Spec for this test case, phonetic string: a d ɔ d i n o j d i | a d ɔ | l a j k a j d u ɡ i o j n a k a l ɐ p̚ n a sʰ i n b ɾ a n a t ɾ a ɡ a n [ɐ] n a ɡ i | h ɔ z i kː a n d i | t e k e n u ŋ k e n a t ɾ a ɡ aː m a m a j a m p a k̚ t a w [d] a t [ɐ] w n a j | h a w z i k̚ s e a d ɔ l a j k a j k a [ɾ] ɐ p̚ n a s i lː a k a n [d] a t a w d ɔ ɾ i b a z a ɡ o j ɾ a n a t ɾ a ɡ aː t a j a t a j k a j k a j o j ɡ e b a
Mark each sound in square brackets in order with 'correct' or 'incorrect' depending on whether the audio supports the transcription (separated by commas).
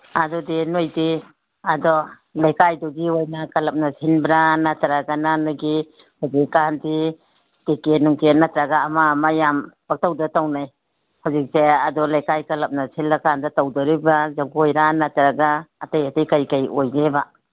incorrect, correct, incorrect, incorrect, correct